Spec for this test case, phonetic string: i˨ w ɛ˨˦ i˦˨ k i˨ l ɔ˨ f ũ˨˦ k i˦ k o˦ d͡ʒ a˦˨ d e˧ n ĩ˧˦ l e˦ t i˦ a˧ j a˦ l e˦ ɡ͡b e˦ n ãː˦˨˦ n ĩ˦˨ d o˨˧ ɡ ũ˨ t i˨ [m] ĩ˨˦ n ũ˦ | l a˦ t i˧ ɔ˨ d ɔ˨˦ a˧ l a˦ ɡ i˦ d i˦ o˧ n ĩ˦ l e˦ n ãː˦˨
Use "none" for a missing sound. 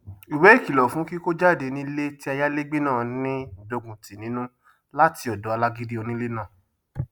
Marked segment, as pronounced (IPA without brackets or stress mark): n